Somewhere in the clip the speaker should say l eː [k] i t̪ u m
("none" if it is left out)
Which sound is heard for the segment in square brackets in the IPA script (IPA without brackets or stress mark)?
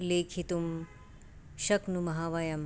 kʰ